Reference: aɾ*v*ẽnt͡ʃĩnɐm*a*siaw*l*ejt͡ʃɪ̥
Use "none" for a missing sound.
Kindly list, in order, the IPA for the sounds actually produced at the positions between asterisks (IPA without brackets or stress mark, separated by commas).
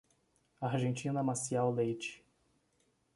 ʒ, a, l